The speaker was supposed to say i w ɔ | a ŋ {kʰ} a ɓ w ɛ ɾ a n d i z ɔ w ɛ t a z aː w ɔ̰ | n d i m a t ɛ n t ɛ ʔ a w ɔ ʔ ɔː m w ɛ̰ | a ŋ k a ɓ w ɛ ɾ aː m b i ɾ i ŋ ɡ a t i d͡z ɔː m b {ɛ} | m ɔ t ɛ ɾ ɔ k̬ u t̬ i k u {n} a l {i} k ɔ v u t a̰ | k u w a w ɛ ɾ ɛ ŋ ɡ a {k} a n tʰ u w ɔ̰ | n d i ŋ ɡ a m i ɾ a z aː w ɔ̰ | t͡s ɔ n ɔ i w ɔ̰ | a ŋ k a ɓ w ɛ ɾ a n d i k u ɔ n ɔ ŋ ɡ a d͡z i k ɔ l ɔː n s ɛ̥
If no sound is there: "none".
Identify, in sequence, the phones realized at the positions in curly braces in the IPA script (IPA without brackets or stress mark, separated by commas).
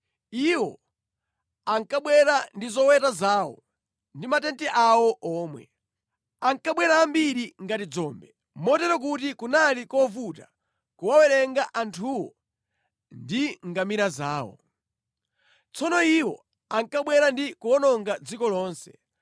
k, ɛ, n, i, ʔ